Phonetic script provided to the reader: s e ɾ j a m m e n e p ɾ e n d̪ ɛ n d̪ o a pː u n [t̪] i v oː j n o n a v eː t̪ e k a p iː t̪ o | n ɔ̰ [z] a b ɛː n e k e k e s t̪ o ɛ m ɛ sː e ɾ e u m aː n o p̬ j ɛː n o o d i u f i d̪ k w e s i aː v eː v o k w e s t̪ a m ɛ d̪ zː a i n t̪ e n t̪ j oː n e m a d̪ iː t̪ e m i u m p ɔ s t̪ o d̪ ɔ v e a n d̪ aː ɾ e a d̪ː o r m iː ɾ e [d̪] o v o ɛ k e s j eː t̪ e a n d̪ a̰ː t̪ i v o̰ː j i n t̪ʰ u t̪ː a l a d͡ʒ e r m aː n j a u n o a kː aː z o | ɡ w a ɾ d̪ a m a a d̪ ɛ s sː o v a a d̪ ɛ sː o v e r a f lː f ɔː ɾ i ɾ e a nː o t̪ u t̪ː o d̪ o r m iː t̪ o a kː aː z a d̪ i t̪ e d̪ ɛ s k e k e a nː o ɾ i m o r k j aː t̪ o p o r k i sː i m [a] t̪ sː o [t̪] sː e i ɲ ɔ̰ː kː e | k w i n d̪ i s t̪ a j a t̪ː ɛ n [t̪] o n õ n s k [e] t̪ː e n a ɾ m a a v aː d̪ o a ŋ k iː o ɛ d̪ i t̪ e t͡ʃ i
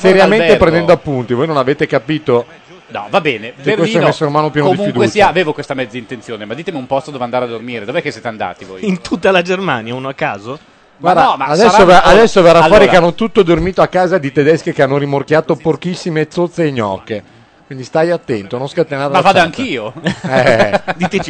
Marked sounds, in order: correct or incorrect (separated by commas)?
correct, incorrect, correct, incorrect, correct, correct, incorrect